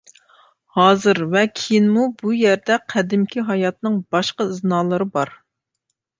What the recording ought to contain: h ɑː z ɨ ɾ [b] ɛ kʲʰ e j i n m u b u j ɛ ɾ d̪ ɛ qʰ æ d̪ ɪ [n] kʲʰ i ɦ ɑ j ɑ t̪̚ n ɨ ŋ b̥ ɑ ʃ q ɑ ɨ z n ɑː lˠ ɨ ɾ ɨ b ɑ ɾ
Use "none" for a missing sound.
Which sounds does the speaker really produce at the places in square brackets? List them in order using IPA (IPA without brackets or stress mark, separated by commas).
v, m